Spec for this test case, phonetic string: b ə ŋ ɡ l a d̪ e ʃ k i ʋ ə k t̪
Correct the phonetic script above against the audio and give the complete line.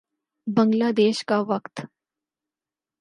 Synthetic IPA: b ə ŋ ɡ l a d̪ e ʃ k a ʋ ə k t̪

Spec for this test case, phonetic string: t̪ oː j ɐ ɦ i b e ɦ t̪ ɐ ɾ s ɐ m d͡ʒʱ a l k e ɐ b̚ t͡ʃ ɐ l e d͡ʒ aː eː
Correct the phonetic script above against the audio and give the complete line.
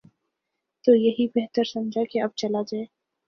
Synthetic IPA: t̪ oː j ɐ ɦ i b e ɦ t̪ ə ɾ s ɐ m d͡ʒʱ a k e ɐ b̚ t͡ʃ ɐ l a d͡ʒ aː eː

